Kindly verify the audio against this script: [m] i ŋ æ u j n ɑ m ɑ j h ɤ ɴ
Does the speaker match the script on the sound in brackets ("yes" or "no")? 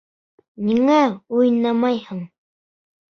no